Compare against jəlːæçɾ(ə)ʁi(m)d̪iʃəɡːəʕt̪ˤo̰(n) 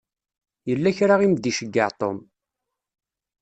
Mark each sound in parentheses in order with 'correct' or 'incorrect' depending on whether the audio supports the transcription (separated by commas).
incorrect, correct, incorrect